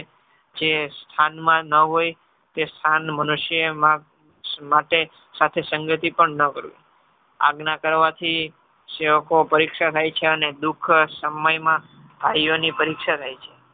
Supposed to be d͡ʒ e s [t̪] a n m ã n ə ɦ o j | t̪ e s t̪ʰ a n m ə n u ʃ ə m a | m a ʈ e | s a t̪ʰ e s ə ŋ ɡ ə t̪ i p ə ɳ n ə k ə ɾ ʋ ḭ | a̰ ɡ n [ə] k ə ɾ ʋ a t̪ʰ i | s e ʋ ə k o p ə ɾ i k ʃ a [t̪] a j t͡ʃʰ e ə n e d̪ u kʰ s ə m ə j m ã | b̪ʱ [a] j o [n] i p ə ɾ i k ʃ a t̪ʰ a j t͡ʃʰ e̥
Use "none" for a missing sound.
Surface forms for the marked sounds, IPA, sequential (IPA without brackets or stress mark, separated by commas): t̪ʰ, a, t̪ʰ, a, n